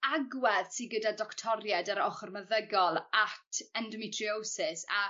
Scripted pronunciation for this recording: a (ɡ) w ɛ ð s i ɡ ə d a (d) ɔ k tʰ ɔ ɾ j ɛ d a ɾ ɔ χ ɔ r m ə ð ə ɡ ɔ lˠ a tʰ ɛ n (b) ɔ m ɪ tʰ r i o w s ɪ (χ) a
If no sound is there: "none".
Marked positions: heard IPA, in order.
ɡ, d, d, s

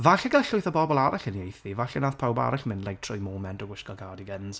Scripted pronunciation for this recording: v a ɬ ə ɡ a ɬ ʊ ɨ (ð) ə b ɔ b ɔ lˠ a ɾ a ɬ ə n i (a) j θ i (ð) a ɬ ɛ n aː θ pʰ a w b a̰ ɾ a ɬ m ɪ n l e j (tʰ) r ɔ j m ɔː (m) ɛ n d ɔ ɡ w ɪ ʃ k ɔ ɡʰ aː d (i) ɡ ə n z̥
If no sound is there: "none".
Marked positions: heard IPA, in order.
θ, e, v, tʰ, m, i

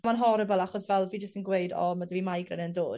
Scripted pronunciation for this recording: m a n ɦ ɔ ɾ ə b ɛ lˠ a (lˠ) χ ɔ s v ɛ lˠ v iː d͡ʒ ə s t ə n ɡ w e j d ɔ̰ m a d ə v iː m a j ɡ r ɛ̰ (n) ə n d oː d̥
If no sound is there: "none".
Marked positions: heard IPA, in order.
none, n

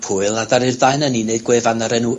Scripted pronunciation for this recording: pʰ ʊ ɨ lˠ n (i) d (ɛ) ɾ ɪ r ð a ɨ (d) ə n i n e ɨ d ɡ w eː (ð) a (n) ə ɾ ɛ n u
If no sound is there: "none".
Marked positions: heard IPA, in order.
a, a, n, v, n

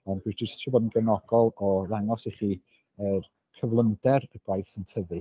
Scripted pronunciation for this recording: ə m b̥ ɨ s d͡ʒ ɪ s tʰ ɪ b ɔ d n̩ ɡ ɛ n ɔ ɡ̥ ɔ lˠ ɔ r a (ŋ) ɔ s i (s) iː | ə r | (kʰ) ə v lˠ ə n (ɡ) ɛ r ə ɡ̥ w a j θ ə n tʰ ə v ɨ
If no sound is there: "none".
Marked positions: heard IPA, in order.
ŋ, χ, kʰ, d

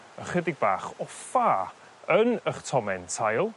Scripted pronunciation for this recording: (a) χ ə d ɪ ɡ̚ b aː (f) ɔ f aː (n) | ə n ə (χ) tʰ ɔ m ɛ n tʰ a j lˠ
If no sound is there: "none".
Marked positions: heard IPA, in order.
ə, χ, none, χ

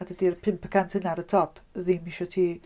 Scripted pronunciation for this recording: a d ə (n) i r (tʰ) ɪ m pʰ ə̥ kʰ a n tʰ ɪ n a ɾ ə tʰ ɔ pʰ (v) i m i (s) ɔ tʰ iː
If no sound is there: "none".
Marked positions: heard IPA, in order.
d, pʰ, ð, ʃ

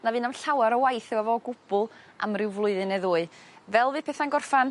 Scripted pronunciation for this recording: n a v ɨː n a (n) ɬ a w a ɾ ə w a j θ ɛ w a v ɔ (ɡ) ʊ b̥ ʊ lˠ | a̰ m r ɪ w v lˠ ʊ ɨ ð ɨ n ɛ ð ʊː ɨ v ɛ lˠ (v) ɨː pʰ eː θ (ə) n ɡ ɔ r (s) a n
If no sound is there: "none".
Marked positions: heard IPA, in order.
m, ɡ, v, a, f

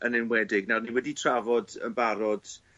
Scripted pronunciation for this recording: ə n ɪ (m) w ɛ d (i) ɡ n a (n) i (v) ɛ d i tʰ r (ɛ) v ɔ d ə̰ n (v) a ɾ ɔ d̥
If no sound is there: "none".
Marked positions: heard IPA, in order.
n, ɪ, n, w, a, b

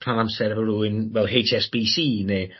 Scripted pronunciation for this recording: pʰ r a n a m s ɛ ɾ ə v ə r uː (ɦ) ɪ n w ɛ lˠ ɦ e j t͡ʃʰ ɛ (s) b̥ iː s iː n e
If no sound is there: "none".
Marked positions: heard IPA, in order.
none, s

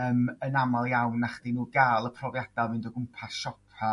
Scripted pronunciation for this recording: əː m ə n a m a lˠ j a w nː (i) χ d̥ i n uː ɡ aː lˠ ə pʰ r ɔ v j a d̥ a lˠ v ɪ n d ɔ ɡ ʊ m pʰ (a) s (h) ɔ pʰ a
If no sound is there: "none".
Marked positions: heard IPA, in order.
a, a, ʃ

